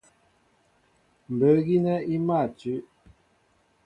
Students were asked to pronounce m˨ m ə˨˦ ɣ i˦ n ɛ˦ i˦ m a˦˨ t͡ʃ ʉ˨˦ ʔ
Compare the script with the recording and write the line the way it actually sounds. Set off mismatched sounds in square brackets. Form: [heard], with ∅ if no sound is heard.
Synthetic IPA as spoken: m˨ [b] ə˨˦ ɣ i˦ n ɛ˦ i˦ m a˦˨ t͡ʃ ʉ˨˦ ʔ